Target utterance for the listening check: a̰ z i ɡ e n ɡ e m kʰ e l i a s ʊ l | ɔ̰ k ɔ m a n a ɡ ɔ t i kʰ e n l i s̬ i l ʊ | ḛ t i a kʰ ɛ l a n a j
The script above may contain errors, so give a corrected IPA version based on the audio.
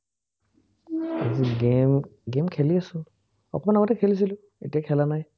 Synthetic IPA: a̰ z i ɡ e m ɡ e m kʰ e l i a s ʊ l | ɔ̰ k ɔ m a n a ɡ ɔ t ɛ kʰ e l i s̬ i l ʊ | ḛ t i a kʰ ɛ l a n a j